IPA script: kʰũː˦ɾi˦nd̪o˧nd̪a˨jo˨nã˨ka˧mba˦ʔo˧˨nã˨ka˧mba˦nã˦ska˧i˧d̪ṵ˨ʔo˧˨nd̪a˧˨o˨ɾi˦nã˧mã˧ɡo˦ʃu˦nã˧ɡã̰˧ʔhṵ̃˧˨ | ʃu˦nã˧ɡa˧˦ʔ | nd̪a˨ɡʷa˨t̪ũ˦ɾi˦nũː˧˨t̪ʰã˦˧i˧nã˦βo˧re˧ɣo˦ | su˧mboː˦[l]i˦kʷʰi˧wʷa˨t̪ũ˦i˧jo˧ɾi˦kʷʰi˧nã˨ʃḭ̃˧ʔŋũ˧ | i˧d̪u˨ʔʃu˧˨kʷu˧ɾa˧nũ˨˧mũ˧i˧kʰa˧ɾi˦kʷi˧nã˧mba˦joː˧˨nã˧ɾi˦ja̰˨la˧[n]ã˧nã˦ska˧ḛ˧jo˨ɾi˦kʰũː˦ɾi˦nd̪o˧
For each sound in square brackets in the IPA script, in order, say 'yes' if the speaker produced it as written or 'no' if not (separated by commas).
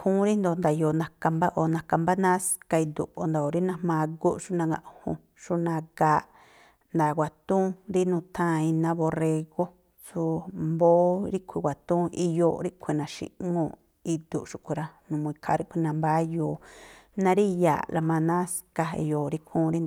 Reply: no, no